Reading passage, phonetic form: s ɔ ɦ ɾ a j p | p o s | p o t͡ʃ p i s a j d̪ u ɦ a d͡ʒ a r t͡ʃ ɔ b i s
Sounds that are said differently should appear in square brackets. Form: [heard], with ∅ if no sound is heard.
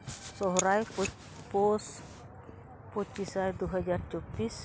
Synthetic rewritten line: s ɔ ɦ ɾ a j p | p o s | p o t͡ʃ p i s a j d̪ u ɦ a d͡ʒ a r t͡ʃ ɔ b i s